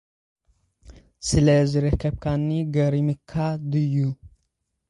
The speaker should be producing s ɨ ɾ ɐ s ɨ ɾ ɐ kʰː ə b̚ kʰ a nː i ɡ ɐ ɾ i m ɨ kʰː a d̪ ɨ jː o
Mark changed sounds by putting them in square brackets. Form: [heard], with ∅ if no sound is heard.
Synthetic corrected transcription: s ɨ [l] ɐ [z] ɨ ɾ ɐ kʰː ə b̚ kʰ a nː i ɡ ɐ ɾ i m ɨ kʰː a d̪ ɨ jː [u]